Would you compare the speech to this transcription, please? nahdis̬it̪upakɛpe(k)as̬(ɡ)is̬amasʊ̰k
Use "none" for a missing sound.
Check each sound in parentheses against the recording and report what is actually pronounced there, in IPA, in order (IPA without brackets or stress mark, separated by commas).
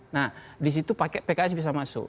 k, b